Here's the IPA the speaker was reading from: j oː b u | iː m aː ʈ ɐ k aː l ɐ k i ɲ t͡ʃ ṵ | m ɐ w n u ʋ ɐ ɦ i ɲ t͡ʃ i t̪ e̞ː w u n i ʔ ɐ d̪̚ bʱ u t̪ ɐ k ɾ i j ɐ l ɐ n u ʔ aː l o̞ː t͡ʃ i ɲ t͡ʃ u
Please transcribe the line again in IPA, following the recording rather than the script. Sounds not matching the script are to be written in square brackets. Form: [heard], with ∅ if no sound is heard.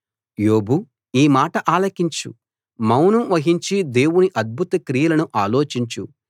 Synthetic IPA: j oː b u | iː m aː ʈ ɐ [ʔ] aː l ɐ k i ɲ t͡ʃ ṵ | m ɐ w n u ʋ ɐ ɦ i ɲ t͡ʃ i [d̪] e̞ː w u n i ʔ ɐ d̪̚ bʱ u t̪ ɐ k ɾ i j ɐ l ɐ n u ʔ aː l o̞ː t͡ʃ i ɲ t͡ʃ u